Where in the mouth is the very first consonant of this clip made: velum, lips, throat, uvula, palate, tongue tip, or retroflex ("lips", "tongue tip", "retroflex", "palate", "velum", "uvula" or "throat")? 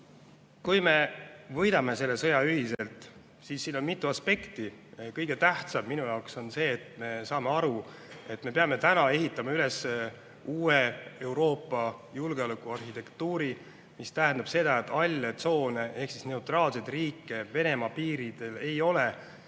velum